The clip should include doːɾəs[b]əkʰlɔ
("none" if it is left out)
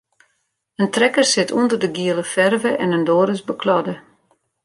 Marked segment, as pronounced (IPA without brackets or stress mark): b